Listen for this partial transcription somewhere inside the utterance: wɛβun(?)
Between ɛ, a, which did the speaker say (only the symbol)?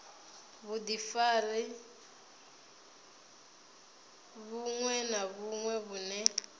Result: ɛ